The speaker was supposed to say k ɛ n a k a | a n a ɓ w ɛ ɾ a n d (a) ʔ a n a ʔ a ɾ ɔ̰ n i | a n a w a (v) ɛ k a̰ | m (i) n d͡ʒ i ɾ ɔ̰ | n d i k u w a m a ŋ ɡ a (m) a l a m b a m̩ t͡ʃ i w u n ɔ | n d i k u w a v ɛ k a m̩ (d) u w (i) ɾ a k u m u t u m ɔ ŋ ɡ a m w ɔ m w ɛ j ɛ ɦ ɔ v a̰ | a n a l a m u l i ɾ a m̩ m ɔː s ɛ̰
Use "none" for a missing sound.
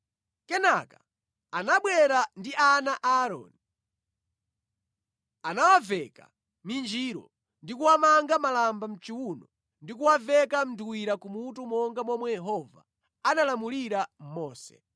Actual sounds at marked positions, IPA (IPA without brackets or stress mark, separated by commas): i, v, i, m, d, i